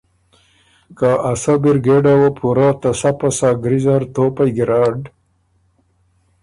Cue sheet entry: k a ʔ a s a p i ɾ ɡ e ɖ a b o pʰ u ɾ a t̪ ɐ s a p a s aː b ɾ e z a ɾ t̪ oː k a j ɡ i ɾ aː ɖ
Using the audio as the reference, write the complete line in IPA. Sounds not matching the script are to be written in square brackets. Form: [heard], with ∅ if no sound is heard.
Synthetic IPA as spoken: k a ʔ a s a [b] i ɾ ɡ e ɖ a [w] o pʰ u ɾ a t̪ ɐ s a p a s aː [ɡ] ɾ [i] z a ɾ t̪ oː [p] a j ɡ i ɾ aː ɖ

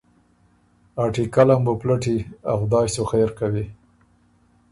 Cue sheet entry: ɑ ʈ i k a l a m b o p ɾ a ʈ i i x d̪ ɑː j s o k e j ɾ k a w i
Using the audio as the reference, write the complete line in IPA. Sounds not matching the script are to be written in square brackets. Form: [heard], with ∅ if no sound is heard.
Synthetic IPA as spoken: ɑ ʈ i k a l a m b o p [l] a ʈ i [a] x d̪ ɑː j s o [x] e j ɾ k a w i

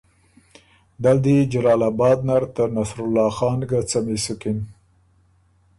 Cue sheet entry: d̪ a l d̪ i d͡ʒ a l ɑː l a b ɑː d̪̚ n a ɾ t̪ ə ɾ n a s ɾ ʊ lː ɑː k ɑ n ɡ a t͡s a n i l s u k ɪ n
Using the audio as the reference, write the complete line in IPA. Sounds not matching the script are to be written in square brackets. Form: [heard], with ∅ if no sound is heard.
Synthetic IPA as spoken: d̪ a l d̪ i d͡ʒ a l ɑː l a b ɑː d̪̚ n a ɾ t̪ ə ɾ n a s ɾ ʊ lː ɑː [x] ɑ n ɡ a t͡s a [m] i [∅] s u k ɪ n

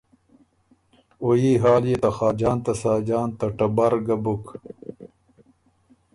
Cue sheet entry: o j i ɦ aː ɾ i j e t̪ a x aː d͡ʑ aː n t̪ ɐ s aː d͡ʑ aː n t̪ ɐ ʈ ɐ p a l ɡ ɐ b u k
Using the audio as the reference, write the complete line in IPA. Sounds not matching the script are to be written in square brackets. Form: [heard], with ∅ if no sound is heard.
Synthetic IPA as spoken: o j i ɦ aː [l] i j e t̪ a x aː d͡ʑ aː n t̪ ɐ s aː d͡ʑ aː n t̪ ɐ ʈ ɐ [b] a [ɾ] ɡ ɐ b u k

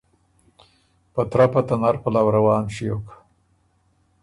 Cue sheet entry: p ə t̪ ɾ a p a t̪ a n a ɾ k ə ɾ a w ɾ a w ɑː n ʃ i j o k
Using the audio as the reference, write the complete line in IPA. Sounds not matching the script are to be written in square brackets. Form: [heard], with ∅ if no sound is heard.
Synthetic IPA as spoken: p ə t̪ ɾ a p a t̪ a n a ɾ [p] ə [l] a w ɾ a w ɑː n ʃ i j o k

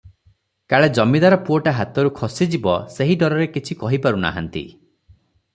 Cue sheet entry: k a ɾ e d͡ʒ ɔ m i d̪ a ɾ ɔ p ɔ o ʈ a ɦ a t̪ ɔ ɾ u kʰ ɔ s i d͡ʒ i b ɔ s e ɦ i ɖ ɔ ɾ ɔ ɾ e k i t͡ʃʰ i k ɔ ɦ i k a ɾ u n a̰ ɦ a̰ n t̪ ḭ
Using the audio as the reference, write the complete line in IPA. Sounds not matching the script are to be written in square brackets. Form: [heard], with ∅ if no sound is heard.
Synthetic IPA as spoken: k a [ɭ] e d͡ʒ ɔ m i d̪ a ɾ ɔ p [u] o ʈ a ɦ a t̪ ɔ ɾ u kʰ ɔ s i d͡ʒ i b ɔ s e ɦ i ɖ ɔ ɾ ɔ ɾ e k i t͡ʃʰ i k ɔ ɦ i [p] a ɾ u n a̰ ɦ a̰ n t̪ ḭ

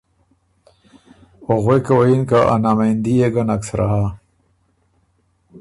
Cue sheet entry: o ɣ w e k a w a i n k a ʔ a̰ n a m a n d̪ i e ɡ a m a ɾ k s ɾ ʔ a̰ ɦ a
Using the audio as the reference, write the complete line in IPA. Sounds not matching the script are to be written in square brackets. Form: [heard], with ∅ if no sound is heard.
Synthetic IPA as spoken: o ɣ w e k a w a i n k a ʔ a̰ n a m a n d̪ i e ɡ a [n] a [∅] k s ɾ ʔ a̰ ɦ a

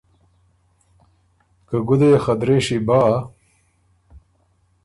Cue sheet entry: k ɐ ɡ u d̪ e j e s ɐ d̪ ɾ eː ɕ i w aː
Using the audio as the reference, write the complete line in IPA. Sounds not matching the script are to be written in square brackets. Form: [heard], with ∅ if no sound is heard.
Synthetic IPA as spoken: k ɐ ɡ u d̪ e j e [x] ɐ d̪ ɾ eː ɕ i [b] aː

